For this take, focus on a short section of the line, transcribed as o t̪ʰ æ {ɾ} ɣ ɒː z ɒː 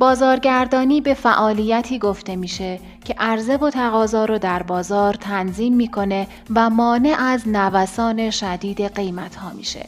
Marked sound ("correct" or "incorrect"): incorrect